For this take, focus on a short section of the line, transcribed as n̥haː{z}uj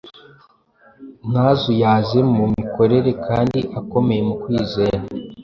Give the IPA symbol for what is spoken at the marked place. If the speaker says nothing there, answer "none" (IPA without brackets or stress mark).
z